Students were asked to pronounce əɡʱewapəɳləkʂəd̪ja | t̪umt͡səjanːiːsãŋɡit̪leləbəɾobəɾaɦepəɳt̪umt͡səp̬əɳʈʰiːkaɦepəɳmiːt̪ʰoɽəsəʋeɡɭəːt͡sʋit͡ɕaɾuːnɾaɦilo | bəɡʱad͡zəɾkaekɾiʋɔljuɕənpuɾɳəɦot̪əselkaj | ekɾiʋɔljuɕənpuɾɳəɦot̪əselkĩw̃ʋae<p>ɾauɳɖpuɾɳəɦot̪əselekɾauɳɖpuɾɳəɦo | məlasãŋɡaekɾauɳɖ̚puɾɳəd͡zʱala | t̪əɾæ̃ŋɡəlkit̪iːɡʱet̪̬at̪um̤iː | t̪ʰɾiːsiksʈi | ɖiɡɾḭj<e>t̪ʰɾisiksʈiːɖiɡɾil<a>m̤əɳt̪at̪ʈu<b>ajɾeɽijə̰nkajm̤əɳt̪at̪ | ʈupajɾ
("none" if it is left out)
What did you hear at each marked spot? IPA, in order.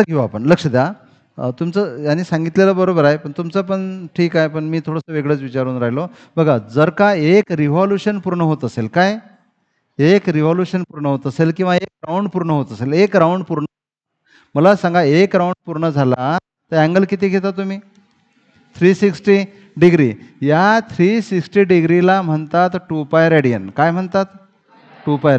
k, a, a, p

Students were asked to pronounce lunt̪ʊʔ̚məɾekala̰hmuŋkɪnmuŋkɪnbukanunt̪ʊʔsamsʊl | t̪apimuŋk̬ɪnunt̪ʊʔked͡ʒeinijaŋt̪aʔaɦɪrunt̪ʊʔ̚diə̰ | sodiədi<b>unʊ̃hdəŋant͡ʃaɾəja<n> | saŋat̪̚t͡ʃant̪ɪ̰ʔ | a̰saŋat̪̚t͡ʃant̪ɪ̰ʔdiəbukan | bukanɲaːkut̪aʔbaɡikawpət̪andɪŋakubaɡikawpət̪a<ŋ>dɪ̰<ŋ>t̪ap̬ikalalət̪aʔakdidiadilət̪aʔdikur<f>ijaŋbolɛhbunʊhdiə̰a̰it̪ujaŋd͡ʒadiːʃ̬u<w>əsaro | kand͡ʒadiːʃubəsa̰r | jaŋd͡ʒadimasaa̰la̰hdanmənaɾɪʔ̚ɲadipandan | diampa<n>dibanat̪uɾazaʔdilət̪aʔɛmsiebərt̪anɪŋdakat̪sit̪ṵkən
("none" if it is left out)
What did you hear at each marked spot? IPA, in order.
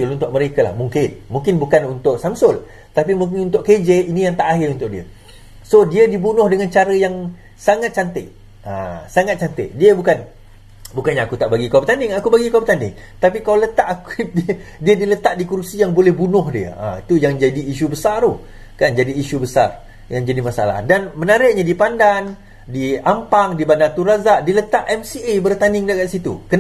b, ŋ, n, ŋ, s, b, ŋ

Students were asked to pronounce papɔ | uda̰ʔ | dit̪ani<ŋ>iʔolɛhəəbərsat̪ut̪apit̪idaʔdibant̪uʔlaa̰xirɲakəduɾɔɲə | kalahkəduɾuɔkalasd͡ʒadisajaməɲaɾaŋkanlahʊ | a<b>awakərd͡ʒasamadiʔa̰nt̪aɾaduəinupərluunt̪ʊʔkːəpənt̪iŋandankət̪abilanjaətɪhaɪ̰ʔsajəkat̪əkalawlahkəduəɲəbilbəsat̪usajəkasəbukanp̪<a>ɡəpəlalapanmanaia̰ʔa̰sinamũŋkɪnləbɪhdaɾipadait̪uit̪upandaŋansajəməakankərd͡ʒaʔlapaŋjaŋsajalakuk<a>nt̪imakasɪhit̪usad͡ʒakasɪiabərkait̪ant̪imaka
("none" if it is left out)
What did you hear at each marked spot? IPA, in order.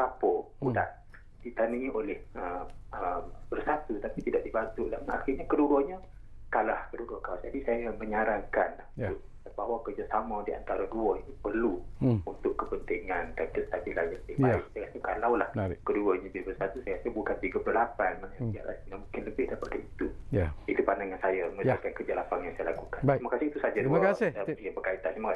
ŋ, b, i, a

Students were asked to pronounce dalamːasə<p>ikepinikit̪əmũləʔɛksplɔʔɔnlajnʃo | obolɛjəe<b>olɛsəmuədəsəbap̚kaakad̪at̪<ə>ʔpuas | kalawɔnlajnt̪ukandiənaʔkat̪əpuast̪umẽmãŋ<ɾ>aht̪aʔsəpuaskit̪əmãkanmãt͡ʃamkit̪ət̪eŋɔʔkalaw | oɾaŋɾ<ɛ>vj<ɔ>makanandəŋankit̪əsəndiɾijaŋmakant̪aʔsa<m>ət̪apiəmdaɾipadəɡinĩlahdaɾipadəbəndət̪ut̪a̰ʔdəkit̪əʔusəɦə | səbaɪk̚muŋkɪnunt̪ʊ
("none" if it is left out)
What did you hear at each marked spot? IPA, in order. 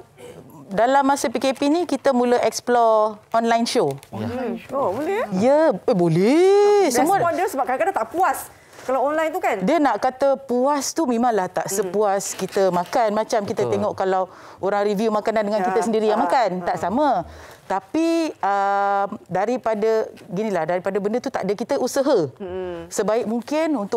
p, b, a, l, i, u, m

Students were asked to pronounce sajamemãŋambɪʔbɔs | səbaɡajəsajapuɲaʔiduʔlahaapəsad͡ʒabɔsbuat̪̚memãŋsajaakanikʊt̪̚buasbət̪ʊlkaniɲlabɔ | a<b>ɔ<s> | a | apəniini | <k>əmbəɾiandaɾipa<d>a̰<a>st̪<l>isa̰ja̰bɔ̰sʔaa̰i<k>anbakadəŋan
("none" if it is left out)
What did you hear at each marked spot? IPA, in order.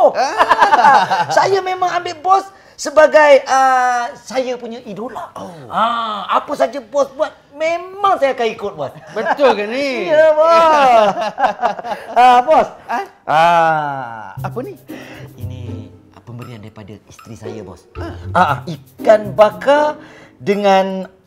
b, s, p, d, i, ɾ, k

